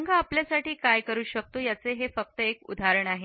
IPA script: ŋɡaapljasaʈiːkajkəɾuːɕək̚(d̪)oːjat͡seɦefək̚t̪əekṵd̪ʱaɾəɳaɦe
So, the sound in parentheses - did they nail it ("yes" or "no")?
no